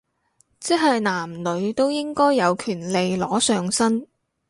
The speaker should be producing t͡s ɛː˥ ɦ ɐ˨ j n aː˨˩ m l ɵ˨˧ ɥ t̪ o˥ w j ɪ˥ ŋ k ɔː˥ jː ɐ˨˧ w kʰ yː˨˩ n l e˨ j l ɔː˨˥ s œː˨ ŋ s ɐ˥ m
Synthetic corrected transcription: t͡s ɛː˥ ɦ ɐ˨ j n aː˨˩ m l ɵ˨˧ ɥ t̪ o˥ w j ɪ˥ ŋ k ɔː˥ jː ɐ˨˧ w kʰ yː˨˩ n l e˨ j l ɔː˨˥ s œː˨ ŋ s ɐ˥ n